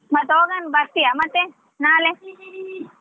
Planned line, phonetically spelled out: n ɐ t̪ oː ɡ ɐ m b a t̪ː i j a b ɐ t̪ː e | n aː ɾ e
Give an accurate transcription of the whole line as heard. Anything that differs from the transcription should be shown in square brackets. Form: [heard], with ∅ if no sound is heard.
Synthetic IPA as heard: [m] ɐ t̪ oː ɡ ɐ [n] b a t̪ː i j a [m] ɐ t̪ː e | n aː [l] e